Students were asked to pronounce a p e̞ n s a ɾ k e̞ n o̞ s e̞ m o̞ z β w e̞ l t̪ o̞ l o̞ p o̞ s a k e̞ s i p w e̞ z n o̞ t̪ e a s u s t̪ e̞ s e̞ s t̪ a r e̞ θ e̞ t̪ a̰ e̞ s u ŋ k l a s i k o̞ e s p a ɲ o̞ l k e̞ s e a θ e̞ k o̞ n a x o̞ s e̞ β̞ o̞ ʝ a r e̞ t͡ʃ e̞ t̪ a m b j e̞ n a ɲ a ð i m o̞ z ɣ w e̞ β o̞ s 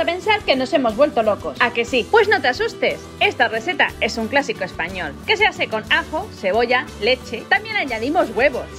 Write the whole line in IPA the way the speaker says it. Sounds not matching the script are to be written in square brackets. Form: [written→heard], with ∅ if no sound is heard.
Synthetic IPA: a p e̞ n s a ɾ k e̞ n o̞ s e̞ m o̞ z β w e̞ l t̪ o̞ l o̞ [p→k] o̞ s a k e̞ s i p w e̞ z n o̞ t̪ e a s u s t̪ e̞ s e̞ s t̪ a r e̞ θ e̞ t̪ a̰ e̞ s u ŋ k l a s i k o̞ e s p a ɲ o̞ l k e̞ s e a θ e̞ k o̞ n a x o̞ s e̞ β̞ o̞ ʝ a [r→l] e̞ t͡ʃ e̞ t̪ a m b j e̞ n a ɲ a ð i m o̞ z ɣ w e̞ β o̞ s